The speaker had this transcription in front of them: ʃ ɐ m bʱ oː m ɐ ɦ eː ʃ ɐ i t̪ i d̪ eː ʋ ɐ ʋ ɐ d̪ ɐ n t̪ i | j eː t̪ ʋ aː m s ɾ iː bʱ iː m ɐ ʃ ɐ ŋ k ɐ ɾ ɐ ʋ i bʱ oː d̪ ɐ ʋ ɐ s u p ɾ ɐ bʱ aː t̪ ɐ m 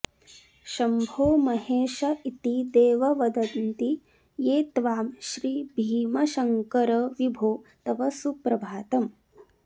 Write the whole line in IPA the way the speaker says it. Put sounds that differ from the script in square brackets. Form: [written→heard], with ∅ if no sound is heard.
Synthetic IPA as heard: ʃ ɐ m bʱ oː m ɐ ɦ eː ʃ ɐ i t̪ i d̪ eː ʋ ɐ ʋ ɐ d̪ ɐ n t̪ i | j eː t̪ ʋ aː m [s→ʃ] ɾ iː bʱ iː m ɐ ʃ ɐ ŋ k ɐ ɾ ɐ ʋ i bʱ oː [d̪→t̪] ɐ ʋ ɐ s u p ɾ ɐ bʱ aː t̪ ɐ m